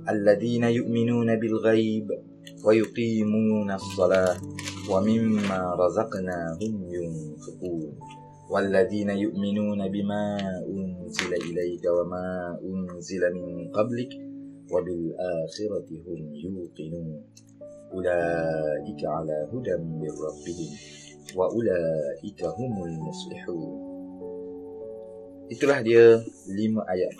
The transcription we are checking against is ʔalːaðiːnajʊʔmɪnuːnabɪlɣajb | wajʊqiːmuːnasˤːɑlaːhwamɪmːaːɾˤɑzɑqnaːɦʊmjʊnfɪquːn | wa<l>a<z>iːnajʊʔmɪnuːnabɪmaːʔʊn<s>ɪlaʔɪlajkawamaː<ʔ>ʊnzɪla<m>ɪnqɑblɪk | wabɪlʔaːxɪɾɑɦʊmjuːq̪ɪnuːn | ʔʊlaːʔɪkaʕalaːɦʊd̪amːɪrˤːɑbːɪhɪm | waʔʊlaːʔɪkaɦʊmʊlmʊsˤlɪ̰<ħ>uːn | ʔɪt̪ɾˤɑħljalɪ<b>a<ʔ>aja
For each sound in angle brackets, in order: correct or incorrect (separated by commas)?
incorrect, incorrect, incorrect, correct, correct, correct, incorrect, correct